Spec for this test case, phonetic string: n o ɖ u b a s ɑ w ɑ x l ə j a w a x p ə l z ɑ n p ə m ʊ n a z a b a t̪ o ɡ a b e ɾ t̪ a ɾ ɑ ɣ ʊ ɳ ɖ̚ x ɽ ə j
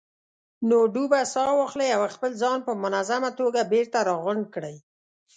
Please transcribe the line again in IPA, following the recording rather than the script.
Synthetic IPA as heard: n o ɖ u b a s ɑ w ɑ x l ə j a w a x p ə l z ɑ n p ə m ʊ n a z a m a t̪ o ɡ a b e ɾ t̪ a ɾ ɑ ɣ ʊ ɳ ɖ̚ k ɽ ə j